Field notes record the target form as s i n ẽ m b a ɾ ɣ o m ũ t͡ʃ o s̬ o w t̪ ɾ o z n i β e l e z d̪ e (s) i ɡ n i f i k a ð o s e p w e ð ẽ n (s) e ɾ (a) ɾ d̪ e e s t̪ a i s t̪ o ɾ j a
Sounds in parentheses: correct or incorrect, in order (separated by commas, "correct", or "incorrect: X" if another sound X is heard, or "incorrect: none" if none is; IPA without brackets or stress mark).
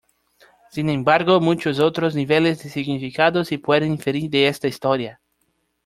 correct, incorrect: f, incorrect: i